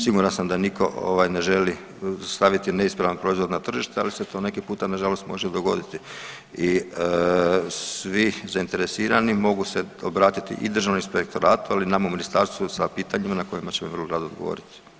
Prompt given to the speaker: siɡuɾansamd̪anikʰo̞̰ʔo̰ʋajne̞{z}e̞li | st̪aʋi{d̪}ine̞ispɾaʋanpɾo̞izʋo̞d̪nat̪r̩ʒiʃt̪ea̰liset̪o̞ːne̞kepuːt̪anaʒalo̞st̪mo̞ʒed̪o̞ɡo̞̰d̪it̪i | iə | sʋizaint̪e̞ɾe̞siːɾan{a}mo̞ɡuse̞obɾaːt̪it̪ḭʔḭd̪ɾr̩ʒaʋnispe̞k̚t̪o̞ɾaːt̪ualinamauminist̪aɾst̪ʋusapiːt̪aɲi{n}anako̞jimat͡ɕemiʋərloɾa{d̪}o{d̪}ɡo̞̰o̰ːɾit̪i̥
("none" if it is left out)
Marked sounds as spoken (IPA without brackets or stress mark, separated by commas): ʒ, t̪, i, m, d̪, d̪